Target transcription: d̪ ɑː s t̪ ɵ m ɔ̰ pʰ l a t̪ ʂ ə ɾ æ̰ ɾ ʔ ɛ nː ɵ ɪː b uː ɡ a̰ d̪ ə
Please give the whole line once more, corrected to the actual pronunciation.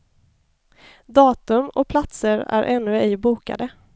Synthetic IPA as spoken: d̪ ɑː t̪ ɵ m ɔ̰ pʰ l a t̪ s ə ɾ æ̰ ɾ ʔ ɛ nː ɵ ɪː b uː k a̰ d̪ ə